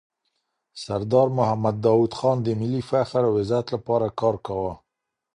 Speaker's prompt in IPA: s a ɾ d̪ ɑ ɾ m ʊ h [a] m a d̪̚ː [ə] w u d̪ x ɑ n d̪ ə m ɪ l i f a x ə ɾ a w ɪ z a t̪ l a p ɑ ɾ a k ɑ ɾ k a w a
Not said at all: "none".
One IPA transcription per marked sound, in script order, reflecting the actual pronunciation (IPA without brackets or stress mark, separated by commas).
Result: a, ɑ